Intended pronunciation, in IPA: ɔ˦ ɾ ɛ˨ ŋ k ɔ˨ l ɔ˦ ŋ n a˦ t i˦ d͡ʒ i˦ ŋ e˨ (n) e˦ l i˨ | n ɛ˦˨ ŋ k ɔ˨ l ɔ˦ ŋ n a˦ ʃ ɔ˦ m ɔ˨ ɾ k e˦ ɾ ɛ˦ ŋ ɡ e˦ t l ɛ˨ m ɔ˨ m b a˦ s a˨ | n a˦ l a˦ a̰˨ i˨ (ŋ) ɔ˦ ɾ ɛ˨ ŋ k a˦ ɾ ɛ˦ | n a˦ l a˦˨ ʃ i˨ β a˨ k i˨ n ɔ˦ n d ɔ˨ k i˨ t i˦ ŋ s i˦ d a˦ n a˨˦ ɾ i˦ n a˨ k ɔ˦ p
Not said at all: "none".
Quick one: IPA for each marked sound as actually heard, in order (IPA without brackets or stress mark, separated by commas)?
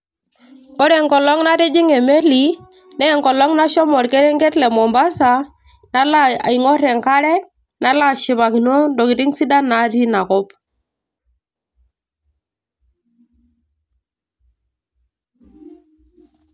m, ŋ